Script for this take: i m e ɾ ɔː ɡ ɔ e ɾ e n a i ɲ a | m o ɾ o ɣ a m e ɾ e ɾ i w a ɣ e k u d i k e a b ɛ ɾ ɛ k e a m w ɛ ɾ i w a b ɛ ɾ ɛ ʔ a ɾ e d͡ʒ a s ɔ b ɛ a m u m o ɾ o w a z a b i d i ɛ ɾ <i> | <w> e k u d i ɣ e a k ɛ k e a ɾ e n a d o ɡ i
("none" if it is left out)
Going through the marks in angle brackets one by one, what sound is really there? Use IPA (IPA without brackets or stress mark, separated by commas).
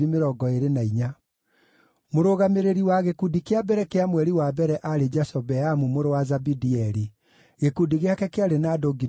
i, ɣ